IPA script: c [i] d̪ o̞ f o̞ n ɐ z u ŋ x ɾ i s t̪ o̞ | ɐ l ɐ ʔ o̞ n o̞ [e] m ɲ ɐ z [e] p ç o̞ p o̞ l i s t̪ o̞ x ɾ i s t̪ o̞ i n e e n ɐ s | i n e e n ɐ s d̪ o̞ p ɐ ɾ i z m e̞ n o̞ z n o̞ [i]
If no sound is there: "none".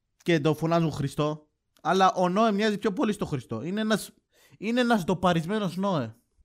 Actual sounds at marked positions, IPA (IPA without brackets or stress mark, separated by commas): e, e, i, e